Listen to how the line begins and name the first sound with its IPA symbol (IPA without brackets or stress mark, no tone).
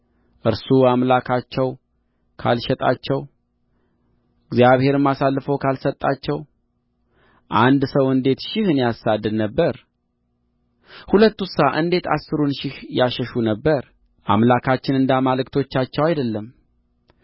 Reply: ʔ